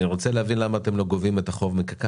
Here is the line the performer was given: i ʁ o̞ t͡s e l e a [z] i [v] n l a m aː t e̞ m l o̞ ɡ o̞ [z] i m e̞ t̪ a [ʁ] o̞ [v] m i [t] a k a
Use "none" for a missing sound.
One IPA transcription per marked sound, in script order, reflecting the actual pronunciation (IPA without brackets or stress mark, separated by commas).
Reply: v, none, v, χ, v, k